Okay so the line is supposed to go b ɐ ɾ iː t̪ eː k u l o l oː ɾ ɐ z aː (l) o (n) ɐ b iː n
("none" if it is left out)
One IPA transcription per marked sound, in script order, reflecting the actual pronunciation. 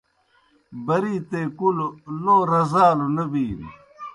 l, n

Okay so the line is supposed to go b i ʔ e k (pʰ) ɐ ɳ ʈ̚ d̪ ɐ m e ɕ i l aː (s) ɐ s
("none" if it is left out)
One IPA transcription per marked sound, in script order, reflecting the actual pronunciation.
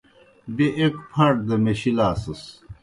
pʰ, s

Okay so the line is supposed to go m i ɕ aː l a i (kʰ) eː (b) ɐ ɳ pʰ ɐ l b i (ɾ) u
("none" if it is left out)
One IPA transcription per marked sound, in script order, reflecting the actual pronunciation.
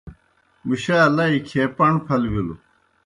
kʰ, p, l

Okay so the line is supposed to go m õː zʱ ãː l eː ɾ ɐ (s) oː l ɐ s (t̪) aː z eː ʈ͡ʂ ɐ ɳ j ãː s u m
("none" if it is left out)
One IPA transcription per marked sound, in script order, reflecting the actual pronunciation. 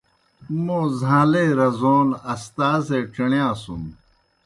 z, t̪

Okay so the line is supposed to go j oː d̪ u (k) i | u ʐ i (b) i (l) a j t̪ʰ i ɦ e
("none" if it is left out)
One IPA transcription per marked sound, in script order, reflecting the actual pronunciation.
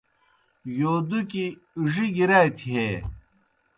k, ɡ, ɾ

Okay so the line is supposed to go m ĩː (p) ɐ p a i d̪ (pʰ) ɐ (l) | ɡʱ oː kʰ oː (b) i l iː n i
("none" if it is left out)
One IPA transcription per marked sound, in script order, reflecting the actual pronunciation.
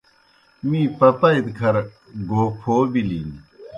p, kʰ, ɾ, b

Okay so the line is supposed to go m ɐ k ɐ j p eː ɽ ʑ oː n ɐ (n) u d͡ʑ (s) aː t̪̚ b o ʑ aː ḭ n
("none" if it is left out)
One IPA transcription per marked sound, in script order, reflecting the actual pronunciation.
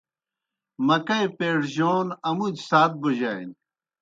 m, s

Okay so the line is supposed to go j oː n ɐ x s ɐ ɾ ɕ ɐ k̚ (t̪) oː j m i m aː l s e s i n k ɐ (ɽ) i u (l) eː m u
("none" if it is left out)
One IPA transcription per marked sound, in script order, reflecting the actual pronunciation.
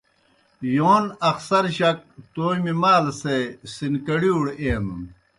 t̪, ɽ, ɽ

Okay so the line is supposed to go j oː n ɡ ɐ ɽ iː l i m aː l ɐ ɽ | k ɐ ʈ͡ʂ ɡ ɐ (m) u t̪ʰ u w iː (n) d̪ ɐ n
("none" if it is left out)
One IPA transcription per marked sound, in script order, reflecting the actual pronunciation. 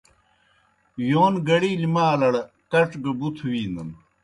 b, n

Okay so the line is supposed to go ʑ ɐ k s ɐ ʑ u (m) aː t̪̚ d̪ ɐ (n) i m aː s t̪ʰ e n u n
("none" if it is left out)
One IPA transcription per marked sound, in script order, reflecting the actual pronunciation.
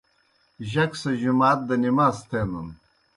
m, n

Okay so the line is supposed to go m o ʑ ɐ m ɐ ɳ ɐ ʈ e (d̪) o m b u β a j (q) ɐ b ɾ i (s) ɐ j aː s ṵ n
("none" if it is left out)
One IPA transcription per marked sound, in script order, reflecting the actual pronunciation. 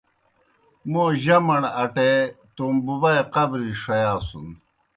t̪, q, ʂ

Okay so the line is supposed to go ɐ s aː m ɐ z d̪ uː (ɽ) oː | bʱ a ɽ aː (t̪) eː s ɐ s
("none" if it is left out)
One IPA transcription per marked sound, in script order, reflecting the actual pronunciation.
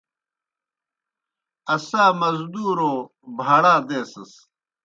ɾ, d̪

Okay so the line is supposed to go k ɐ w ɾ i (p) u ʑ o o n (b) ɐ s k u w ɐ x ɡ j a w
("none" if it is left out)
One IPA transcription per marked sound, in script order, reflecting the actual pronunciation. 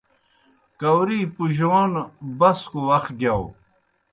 p, b

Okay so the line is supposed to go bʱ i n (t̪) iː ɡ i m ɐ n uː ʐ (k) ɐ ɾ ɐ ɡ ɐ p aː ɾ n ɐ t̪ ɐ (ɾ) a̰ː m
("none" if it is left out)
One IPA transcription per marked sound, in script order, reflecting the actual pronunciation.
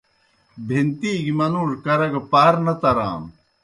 t̪, k, ɾ

